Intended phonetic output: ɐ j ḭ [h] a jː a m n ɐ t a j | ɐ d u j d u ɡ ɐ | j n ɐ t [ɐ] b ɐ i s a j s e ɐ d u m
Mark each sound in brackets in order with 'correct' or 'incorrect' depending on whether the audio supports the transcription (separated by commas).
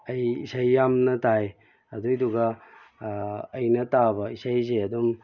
incorrect, incorrect